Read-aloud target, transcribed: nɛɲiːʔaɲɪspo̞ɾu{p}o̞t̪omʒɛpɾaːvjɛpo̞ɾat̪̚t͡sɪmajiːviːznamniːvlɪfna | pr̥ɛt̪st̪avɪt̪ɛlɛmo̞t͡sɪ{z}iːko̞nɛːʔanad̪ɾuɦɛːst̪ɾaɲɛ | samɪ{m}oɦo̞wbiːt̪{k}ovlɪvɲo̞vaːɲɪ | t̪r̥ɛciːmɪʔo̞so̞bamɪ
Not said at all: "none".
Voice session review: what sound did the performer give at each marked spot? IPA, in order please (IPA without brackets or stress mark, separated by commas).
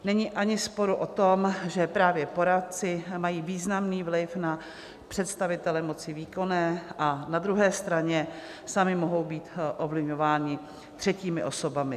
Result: ʔ, v, m, ʔ